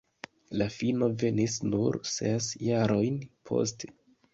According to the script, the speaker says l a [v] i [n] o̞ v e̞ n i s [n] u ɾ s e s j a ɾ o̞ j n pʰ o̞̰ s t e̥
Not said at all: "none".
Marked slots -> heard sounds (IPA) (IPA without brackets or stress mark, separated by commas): f, n, n